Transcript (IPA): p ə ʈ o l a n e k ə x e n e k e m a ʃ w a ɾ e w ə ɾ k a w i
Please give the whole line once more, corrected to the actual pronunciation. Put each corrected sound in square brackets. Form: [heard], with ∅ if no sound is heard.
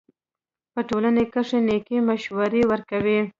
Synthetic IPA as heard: p ə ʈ o l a n e k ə [ʂ] e n e k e m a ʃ w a ɾ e w ə ɾ k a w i